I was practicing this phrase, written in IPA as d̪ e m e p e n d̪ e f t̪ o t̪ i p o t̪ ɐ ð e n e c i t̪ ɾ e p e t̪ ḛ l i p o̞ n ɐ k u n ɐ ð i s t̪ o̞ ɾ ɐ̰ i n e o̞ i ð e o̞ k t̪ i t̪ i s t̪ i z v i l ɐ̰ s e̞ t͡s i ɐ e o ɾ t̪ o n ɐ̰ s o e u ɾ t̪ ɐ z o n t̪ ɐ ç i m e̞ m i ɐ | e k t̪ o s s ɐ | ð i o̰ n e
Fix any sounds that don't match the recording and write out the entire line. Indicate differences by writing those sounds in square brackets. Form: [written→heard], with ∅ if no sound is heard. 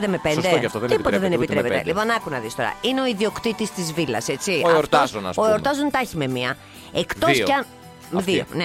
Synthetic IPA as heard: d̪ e m e p e n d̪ e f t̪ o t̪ i p o t̪ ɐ ð e n e [c→p] i t̪ ɾ e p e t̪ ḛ l i p o̞ n ɐ k u n ɐ ð i s t̪ o̞ ɾ ɐ̰ i n e o̞ i ð [e→i] o̞ k t̪ i t̪ i s t̪ i z v i l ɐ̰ s e̞ t͡s i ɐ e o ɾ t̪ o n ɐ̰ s o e [u→o] ɾ t̪ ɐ z o n t̪ ɐ ç i m e̞ m i ɐ | e k t̪ o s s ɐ | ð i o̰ n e